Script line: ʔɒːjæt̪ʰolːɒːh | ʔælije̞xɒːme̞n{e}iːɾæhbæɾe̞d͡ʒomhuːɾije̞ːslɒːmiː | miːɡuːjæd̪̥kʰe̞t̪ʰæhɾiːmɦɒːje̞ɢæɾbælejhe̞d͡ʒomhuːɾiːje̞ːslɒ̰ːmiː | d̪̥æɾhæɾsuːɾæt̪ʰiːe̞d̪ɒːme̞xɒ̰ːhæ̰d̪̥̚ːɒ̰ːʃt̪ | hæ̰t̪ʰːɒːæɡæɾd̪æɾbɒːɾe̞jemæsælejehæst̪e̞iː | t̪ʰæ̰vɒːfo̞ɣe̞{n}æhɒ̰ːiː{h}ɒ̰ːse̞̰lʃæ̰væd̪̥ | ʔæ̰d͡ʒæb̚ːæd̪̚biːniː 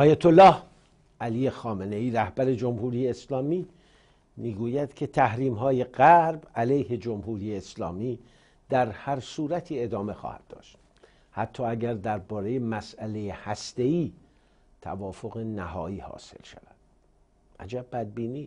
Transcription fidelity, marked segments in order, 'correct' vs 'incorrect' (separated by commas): correct, correct, correct